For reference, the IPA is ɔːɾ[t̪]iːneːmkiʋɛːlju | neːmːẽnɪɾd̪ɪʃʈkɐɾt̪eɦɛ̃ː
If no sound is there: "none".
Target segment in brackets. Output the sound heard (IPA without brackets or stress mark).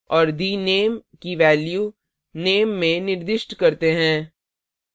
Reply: d̪